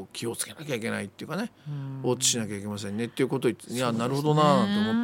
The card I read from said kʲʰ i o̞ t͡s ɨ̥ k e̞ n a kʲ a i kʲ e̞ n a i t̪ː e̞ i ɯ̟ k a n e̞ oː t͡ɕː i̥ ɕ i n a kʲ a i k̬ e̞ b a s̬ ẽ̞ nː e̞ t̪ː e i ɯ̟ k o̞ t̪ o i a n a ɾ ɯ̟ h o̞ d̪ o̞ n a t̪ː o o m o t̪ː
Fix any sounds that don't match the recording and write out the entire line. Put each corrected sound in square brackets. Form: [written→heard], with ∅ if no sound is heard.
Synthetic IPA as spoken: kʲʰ i o̞ t͡s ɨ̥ k e̞ n a kʲ a i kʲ e̞ n a i t̪ː e̞ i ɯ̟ k a n e̞ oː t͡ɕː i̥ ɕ i n a kʲ a i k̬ e̞ [b→m] a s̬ ẽ̞ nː e̞ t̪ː e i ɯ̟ k o̞ t̪ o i a n a ɾ ɯ̟ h o̞ d̪ o̞ n a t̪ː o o m o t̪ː